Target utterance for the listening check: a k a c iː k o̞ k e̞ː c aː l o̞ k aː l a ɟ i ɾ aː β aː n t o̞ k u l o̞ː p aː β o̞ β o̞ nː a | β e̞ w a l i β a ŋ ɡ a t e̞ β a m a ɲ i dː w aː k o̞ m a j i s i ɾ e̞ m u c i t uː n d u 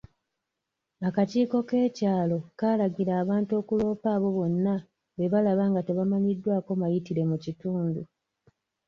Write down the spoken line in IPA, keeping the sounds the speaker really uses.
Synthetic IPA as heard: a k a c iː k o̞ k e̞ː c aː l o̞ k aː l a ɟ i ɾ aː β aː n t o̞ k u l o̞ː p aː β o̞ β o̞ nː a | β e̞ β a l a β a ŋ ɡ a t e̞ β a m a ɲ i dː w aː k o̞ m a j i t i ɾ e̞ m u c i t uː n d u